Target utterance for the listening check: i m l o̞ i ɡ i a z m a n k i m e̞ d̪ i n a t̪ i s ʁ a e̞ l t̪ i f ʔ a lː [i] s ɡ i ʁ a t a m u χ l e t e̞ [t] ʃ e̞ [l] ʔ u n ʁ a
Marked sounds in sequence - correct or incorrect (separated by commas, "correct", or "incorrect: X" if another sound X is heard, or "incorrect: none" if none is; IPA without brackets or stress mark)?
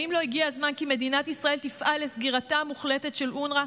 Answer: incorrect: e, correct, correct